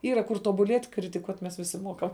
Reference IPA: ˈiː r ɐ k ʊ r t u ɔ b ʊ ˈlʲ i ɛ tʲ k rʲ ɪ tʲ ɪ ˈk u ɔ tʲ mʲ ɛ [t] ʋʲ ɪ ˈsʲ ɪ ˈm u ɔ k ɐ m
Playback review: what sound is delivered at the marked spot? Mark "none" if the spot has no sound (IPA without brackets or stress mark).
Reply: s